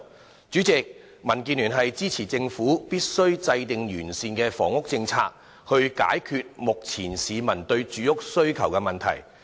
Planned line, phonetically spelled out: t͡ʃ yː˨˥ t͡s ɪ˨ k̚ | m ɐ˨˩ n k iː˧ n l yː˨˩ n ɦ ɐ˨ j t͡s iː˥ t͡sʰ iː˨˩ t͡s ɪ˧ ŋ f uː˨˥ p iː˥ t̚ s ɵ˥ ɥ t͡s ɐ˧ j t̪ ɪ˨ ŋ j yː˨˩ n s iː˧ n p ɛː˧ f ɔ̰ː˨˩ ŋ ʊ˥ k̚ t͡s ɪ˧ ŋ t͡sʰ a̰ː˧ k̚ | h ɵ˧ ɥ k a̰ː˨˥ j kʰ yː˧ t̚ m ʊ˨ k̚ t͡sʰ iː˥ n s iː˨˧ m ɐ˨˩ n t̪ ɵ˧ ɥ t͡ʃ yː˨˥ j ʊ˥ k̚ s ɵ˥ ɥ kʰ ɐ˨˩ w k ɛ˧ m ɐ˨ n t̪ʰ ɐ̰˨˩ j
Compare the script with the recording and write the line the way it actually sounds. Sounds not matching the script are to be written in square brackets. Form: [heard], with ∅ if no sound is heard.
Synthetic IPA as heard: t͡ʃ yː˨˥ t͡s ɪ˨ k̚ | m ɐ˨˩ n k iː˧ n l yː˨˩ n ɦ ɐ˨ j t͡s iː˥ t͡sʰ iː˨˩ t͡s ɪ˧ ŋ f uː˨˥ p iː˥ t̚ s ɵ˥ ɥ t͡s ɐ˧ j t̪ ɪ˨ ŋ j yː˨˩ n s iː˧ n [k] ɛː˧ f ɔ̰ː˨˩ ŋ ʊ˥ k̚ t͡s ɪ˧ ŋ t͡sʰ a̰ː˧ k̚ | h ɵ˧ ɥ k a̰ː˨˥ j kʰ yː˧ t̚ m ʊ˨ k̚ t͡sʰ [iː˨˩] n s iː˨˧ m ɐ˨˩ n t̪ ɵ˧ ɥ t͡ʃ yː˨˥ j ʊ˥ k̚ s ɵ˥ ɥ kʰ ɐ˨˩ w k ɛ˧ m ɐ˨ n t̪ʰ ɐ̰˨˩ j